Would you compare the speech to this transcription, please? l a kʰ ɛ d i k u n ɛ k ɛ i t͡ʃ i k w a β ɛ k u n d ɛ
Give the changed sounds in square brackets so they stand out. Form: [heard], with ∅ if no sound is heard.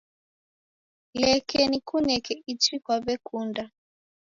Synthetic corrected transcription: l [ɛ] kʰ ɛ [n] i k u n ɛ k ɛ i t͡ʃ i k w a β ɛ k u n d [a]